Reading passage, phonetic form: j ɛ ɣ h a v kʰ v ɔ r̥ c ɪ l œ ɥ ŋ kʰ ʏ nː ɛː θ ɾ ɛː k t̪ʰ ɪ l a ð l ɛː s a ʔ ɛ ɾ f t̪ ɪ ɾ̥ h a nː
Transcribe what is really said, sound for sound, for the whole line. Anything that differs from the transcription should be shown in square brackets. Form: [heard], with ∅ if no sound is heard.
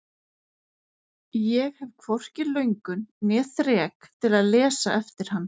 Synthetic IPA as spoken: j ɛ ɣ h [ɛ] v kʰ v ɔ r̥ c ɪ l œ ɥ ŋ [k] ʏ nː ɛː θ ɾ ɛː k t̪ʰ ɪ l a ð l ɛː s a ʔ ɛ [∅] f t̪ ɪ ɾ̥ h a nː